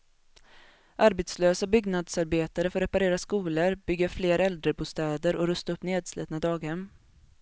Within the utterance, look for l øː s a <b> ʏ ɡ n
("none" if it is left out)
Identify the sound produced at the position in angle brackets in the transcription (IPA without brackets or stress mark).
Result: b